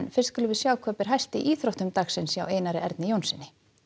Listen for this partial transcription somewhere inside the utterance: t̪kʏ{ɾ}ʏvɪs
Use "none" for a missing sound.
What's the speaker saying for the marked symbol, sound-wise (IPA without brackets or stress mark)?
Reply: l